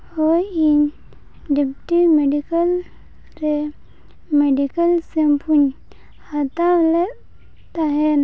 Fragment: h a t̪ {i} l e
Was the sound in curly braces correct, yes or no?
no